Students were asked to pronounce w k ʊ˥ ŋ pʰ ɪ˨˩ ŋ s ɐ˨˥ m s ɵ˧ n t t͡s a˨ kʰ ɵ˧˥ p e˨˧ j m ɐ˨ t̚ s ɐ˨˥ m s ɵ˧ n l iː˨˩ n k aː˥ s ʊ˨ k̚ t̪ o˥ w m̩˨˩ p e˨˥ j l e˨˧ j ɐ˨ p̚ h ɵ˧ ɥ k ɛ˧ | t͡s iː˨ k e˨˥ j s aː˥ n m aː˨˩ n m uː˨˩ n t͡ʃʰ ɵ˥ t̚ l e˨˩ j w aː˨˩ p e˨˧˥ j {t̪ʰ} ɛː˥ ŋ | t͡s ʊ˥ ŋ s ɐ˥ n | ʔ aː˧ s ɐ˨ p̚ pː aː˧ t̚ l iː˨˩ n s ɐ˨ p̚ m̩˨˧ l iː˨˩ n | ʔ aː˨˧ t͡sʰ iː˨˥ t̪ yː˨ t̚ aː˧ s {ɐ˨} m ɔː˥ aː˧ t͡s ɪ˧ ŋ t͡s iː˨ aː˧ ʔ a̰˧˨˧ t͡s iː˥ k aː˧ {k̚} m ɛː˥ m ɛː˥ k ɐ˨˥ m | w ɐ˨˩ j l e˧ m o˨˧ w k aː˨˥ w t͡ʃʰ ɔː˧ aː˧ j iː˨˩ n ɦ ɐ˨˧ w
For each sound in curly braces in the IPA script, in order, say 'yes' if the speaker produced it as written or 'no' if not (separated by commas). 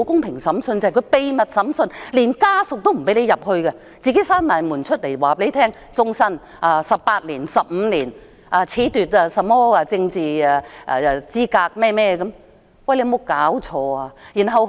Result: yes, yes, yes